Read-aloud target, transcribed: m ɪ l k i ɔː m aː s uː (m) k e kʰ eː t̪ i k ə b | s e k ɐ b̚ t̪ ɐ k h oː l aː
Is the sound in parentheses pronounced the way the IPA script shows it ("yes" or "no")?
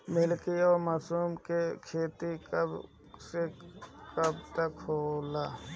yes